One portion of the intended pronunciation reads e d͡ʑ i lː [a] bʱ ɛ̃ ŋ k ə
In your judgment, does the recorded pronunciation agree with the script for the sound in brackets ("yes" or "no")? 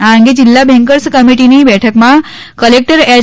yes